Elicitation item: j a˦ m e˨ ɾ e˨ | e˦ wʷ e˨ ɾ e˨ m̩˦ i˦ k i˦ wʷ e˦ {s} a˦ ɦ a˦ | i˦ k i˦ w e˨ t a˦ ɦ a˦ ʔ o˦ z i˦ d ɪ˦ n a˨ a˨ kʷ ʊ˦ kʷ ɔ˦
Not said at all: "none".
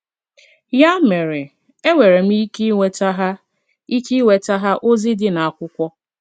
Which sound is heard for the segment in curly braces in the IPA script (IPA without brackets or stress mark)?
t